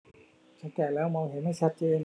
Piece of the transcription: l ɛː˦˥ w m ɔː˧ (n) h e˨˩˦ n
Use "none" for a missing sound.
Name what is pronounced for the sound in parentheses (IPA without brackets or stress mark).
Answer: ŋ